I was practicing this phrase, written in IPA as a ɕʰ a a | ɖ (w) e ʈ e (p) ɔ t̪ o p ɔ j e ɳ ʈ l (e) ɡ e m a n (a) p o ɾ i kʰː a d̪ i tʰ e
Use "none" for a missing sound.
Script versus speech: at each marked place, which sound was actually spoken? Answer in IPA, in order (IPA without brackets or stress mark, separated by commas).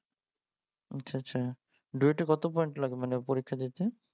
u, k, a, e